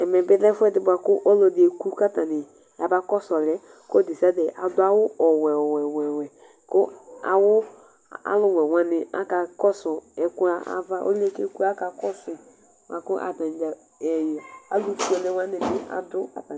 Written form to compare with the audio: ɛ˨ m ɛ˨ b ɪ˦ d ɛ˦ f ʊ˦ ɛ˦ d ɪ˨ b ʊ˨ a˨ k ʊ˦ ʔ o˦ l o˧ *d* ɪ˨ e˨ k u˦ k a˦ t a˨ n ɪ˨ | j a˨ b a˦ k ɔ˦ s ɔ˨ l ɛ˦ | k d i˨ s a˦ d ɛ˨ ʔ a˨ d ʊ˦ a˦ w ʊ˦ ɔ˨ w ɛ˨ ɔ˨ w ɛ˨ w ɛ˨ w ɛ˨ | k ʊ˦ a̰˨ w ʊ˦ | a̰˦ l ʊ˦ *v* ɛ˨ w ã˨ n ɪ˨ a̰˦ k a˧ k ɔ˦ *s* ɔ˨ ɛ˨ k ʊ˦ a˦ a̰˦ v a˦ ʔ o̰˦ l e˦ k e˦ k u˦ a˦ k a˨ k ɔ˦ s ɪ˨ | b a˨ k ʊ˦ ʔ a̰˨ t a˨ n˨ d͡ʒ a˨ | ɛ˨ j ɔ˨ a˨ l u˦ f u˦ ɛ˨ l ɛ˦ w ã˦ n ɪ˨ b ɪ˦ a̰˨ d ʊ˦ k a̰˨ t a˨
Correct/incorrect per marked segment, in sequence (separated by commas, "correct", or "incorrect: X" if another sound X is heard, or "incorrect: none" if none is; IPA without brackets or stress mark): correct, incorrect: w, correct